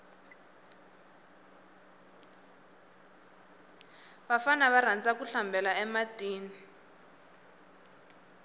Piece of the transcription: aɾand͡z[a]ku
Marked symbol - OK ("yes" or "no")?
yes